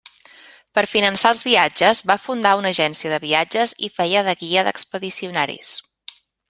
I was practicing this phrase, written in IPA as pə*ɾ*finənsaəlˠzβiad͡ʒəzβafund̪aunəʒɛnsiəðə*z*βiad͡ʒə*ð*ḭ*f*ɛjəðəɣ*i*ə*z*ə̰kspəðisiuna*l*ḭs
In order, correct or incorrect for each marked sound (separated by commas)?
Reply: correct, incorrect, incorrect, correct, correct, incorrect, incorrect